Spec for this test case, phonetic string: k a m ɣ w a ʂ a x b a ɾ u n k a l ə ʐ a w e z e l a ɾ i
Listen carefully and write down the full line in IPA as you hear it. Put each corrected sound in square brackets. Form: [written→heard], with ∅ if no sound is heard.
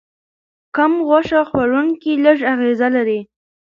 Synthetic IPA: k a m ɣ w a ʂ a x [b→w] a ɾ u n k [a→i] l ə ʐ a [w→ɣ] e z [e→a] l a ɾ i